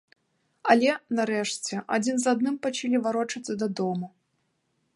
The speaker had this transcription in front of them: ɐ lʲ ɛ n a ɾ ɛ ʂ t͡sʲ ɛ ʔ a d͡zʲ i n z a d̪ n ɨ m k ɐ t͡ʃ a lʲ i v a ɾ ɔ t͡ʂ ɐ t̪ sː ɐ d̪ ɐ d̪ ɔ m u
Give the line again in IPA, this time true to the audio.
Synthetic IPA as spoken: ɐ lʲ ɛ n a ɾ ɛ ʂ t͡sʲ ɛ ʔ a d͡zʲ i n z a d̪ n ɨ m p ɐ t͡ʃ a lʲ i v a ɾ ɔ t͡ʂ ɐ t̪ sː ɐ d̪ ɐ d̪ ɔ m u